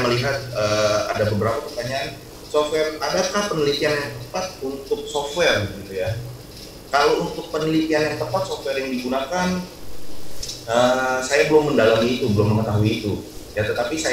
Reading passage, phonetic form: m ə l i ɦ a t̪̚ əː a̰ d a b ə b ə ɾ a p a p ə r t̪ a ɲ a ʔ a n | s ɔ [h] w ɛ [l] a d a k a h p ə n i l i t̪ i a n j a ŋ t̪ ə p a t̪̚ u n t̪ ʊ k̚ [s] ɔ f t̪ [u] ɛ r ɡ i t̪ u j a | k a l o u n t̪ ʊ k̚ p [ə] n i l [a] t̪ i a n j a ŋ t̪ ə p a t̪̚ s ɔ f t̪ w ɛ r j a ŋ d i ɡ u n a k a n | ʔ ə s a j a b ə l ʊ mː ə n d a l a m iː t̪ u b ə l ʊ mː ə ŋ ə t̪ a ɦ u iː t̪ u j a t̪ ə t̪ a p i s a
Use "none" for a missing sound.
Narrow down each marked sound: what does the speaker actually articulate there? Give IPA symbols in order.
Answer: f, r, s, w, ə, i

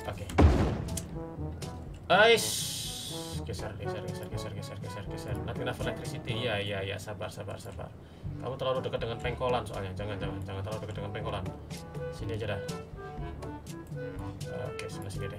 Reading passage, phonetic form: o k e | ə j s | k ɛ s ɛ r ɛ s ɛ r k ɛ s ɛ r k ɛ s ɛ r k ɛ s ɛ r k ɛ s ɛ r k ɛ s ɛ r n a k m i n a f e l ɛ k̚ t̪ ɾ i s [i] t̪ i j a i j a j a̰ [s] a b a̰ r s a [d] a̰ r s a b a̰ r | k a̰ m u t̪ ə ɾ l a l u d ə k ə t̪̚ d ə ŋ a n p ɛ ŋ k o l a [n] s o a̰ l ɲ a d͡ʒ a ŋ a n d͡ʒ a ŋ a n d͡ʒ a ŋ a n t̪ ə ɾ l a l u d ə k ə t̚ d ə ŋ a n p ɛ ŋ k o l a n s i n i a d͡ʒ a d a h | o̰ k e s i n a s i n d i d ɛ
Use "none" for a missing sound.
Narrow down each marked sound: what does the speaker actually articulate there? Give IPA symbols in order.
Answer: i, s, b, n

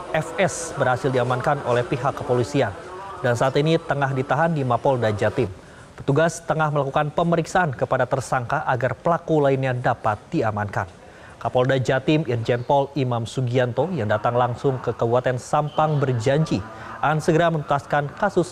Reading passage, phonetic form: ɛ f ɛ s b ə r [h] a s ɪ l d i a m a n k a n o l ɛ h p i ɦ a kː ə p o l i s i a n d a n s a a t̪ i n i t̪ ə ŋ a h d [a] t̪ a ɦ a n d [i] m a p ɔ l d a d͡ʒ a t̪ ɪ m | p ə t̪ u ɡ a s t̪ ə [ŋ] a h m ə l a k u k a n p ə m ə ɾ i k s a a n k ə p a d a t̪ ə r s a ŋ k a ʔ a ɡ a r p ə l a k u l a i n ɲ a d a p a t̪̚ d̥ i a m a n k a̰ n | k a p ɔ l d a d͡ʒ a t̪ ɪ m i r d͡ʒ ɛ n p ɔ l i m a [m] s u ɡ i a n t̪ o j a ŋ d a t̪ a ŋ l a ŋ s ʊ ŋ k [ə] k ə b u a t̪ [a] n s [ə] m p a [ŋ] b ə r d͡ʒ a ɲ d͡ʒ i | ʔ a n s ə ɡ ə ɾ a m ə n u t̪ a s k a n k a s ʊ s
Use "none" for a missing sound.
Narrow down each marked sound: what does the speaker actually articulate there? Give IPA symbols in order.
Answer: h, i, i, ŋ, m, ə, ɛ, a, ŋ

